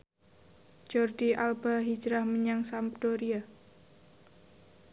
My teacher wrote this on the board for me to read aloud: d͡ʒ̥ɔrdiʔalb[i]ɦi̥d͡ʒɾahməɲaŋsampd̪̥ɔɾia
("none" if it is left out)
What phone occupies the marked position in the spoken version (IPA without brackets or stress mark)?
a